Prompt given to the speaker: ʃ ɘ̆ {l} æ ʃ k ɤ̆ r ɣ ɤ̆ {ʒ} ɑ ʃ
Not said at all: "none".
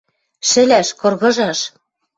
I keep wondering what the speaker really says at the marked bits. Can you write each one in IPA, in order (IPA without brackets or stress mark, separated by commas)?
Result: l, ʒ